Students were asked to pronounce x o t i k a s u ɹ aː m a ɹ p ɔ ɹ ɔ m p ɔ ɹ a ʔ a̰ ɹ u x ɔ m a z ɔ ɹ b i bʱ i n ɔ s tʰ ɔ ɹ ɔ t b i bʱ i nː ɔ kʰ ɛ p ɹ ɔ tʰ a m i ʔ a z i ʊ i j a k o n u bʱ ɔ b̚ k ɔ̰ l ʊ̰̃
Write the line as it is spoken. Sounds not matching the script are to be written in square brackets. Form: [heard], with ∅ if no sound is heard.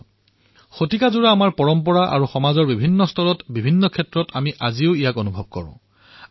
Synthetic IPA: x o t i k a [z] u ɹ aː m a ɹ p ɔ ɹ ɔ m p ɔ ɹ a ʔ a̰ ɹ u x ɔ m a z ɔ ɹ b i bʱ i [nː] ɔ s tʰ ɔ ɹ ɔ t b i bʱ i nː ɔ kʰ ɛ [t] ɹ ɔ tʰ a m i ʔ a z i ʊ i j a k o n u bʱ ɔ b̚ k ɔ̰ [ɹ] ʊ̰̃